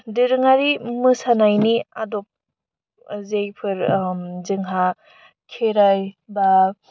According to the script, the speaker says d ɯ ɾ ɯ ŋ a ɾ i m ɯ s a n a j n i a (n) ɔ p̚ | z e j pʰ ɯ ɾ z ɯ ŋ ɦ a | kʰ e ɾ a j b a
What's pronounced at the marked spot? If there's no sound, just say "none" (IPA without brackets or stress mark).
d